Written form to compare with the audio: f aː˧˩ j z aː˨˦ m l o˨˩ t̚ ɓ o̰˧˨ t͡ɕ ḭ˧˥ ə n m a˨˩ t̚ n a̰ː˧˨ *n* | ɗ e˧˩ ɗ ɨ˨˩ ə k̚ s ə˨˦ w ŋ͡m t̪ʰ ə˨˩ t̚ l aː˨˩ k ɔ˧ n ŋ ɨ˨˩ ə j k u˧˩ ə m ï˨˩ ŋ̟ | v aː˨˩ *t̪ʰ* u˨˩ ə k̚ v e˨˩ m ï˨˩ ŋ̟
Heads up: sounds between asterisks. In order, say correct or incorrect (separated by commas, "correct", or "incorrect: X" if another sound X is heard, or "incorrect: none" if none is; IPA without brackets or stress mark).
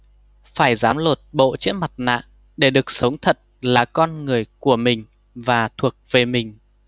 incorrect: ŋ, correct